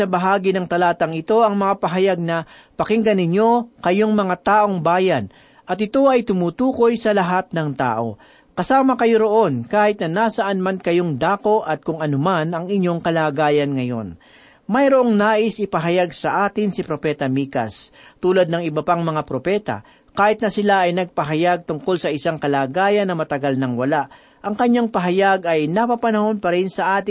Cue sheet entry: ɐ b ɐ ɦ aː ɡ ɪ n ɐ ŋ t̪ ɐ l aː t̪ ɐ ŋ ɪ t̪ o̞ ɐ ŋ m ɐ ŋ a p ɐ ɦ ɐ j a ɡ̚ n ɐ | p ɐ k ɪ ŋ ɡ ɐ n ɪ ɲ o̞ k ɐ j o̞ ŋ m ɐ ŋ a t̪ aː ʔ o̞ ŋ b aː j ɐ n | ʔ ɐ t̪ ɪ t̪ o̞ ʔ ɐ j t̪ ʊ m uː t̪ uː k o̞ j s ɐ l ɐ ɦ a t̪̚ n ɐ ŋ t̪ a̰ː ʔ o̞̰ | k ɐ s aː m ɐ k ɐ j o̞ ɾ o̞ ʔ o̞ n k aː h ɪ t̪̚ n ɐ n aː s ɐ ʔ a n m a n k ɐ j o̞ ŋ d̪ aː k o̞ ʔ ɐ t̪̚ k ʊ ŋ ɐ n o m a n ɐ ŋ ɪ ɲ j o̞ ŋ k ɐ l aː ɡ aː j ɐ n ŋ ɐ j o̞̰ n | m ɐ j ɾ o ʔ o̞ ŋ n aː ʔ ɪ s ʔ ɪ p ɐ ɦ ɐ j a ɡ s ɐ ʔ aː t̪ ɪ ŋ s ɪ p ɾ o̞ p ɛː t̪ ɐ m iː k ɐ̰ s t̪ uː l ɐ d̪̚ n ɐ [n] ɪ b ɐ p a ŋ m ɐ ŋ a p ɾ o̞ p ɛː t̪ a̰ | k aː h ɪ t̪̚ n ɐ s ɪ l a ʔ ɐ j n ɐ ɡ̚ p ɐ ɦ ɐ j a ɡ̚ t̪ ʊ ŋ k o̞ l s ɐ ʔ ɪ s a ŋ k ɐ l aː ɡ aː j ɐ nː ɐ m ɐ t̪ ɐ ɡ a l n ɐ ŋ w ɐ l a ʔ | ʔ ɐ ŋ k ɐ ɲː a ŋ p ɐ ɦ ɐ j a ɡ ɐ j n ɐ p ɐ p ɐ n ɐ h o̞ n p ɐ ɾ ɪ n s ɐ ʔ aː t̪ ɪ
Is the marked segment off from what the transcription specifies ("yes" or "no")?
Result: yes